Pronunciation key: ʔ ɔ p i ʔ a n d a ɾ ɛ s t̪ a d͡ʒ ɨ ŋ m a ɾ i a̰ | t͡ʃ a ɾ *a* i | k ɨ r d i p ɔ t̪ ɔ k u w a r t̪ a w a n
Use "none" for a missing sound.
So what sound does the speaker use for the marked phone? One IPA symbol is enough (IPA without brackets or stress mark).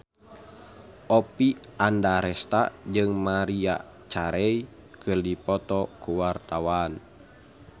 ɛ